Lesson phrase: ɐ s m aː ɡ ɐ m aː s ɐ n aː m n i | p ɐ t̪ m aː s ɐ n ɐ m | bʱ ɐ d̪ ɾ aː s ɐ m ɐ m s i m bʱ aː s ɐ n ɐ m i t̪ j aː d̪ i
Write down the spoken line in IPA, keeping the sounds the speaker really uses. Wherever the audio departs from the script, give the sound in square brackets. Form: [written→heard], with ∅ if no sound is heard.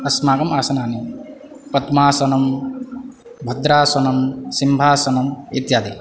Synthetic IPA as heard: ɐ s m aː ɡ ɐ m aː s ɐ n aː [m→∅] n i | p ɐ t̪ m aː s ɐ n ɐ m | bʱ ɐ d̪ ɾ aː s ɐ [m→n] ɐ m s i m bʱ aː s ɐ n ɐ m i t̪ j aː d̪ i